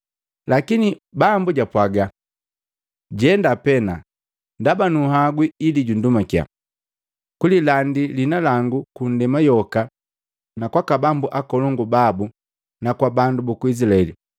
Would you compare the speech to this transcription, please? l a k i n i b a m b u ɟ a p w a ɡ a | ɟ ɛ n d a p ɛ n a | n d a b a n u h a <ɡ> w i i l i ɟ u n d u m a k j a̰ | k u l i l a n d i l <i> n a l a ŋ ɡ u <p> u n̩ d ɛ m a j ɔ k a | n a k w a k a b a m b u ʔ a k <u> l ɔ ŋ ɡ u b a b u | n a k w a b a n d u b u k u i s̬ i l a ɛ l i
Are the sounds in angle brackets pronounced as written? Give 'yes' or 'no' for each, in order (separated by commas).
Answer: yes, yes, no, no